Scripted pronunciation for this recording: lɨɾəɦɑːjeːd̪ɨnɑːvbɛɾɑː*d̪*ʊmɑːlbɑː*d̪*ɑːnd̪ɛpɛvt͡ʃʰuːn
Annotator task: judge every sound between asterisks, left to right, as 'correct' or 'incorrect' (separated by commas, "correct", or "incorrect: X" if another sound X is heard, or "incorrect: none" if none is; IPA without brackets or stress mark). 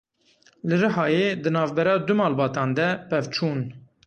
correct, incorrect: t̪